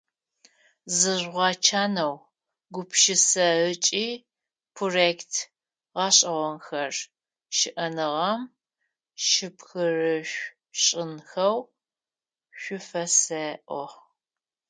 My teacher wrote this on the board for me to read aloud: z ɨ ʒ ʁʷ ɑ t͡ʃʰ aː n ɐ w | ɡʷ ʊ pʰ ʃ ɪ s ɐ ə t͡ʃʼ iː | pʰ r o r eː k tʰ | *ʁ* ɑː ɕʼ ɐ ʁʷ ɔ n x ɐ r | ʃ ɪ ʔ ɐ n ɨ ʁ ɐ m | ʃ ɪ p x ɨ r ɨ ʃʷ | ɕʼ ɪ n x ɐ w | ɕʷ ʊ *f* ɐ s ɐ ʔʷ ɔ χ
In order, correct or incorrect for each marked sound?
correct, correct

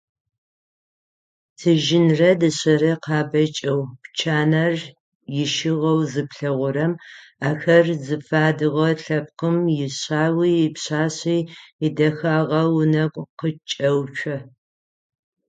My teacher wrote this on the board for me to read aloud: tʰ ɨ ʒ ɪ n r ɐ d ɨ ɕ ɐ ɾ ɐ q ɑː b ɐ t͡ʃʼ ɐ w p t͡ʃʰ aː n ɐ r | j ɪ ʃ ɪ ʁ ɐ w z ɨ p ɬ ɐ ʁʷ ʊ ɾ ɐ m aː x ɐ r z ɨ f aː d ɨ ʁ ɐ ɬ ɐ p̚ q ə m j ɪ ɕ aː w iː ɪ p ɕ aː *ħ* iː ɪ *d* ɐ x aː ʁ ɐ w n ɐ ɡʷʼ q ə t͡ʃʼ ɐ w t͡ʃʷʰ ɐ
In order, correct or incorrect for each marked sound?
incorrect, correct

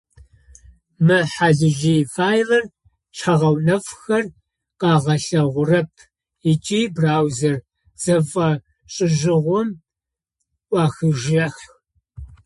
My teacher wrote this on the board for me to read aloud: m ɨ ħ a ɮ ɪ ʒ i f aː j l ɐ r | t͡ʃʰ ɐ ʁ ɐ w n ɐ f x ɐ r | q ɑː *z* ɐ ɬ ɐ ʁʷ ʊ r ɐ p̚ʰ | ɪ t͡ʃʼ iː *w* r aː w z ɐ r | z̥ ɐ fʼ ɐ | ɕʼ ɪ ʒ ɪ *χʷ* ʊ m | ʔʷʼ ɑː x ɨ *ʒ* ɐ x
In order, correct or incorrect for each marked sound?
incorrect, incorrect, incorrect, correct

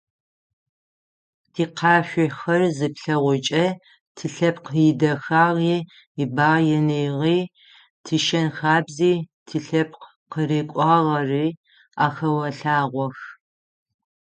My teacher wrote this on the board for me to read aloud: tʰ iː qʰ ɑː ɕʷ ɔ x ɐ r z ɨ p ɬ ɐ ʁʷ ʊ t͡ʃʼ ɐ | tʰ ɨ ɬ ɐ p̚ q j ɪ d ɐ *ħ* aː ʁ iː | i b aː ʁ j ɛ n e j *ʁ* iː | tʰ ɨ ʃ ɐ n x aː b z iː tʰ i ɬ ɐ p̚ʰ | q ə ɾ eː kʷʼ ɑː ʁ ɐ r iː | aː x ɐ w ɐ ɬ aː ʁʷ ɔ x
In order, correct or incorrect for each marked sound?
incorrect, correct

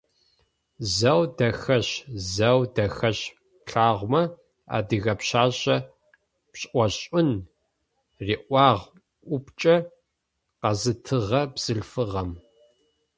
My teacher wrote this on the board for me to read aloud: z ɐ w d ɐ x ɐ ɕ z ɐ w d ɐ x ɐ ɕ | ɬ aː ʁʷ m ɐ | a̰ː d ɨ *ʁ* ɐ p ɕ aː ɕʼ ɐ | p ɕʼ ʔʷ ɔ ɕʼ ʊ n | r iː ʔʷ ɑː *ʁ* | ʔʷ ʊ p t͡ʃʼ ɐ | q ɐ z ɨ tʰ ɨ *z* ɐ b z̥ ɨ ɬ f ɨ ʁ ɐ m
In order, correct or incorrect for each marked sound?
incorrect, correct, incorrect

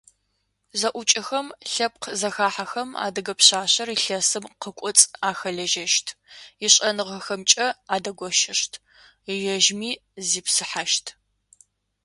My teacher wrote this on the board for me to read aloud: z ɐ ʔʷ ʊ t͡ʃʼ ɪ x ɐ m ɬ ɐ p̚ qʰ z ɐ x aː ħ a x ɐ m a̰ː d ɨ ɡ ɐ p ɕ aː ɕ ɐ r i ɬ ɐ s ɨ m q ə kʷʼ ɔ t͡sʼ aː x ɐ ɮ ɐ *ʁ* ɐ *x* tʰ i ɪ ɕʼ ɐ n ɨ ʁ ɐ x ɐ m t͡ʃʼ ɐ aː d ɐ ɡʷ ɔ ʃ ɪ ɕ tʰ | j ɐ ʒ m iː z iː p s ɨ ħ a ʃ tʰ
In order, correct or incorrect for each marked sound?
incorrect, incorrect

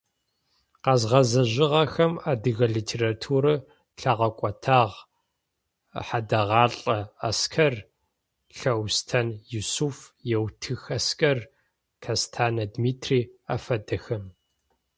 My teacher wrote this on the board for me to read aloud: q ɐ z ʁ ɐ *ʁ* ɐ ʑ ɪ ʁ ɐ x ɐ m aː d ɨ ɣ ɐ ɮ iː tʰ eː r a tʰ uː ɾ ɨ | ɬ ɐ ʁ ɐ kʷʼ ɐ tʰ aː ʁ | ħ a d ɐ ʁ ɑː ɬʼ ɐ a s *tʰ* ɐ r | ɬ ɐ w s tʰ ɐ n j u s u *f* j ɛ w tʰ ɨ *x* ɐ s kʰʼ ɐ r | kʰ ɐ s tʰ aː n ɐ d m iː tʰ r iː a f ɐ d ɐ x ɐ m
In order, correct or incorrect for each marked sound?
incorrect, incorrect, correct, correct

